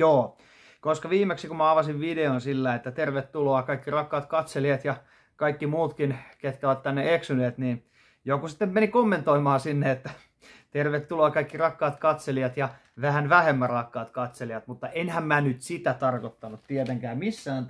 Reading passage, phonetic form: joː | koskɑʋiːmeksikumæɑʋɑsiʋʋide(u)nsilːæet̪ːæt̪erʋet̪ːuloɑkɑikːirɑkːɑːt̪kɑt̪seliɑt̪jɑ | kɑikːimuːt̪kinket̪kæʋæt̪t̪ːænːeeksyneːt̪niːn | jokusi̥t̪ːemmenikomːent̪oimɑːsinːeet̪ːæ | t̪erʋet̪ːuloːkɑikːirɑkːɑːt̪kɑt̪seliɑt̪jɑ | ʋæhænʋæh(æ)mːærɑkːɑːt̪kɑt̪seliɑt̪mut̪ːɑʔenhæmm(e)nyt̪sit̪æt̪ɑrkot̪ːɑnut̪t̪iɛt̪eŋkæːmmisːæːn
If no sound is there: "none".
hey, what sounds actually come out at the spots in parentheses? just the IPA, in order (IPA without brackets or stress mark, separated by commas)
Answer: o, e, æ